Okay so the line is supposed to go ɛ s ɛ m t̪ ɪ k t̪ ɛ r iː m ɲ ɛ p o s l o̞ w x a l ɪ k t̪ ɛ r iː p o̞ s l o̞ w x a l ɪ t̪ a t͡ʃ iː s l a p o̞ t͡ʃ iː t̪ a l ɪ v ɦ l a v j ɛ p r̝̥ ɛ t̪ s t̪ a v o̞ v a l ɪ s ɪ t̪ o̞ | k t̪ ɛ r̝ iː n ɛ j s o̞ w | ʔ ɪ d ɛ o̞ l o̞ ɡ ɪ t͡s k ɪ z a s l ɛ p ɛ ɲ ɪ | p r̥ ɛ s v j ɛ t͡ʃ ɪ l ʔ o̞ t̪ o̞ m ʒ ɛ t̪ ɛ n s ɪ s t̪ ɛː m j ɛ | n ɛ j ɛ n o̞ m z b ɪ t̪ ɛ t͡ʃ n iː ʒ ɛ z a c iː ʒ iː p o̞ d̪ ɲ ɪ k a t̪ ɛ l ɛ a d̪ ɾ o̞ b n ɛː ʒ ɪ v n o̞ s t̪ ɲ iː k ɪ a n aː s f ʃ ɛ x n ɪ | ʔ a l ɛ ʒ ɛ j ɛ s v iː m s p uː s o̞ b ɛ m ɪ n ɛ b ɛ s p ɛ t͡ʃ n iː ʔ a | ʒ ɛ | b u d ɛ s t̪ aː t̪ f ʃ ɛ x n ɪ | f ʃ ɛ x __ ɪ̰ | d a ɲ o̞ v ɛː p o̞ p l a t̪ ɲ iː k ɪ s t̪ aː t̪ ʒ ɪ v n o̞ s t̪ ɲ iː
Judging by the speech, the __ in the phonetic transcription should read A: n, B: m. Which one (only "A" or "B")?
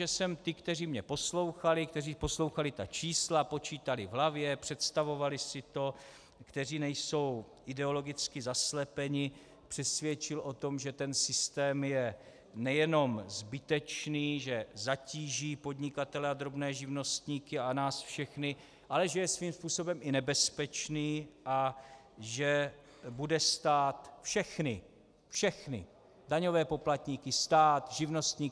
A